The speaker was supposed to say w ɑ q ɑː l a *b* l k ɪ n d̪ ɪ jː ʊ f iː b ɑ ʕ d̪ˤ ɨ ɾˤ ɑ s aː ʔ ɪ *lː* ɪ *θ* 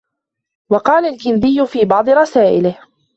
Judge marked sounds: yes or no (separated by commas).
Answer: no, no, no